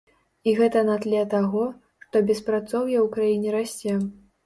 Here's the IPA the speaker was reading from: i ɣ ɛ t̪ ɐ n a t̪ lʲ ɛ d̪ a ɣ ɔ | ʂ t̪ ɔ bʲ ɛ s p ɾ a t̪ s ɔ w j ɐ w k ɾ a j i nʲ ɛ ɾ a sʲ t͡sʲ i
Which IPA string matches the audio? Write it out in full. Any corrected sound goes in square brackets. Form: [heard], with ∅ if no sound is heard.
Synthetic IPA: i ɣ ɛ t̪ ɐ n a t̪ lʲ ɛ [t̪] a ɣ ɔ | ʂ t̪ ɔ bʲ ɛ s p ɾ a t̪ s ɔ w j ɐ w k ɾ a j i nʲ ɛ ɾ a sʲ t͡sʲ [ɛ]